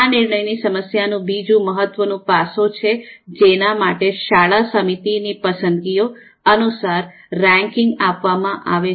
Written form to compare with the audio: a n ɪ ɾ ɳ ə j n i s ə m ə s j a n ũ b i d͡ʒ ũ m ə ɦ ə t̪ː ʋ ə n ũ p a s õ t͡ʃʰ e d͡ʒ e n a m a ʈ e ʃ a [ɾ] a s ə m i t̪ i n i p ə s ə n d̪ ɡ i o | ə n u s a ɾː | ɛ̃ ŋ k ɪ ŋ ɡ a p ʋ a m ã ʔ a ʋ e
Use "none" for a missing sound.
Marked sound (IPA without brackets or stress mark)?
ɭ